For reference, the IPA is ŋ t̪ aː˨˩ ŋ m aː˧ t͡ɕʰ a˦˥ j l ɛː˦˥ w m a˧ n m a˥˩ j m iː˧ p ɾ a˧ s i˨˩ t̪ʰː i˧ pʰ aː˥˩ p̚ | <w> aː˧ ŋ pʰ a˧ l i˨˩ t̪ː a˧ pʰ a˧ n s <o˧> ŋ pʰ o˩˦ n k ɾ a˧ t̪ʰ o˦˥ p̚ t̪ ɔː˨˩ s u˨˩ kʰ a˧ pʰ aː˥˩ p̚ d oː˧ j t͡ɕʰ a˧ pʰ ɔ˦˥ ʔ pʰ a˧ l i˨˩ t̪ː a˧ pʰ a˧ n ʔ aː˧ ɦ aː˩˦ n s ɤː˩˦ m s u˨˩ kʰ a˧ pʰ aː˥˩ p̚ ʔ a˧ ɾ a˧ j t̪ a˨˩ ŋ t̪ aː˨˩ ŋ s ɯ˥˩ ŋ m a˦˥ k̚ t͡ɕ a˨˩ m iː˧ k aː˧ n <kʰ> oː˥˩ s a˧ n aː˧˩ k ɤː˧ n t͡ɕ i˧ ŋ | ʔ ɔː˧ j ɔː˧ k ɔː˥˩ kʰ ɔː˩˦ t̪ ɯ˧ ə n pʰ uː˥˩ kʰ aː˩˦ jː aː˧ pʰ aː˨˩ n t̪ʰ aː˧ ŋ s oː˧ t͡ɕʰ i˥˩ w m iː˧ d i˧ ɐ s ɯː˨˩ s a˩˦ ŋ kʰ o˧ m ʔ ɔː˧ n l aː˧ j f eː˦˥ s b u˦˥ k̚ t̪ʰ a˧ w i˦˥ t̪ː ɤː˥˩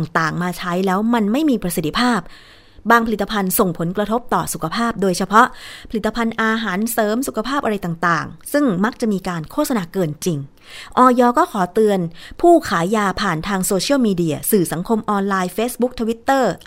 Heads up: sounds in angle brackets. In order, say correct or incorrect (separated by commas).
incorrect, incorrect, correct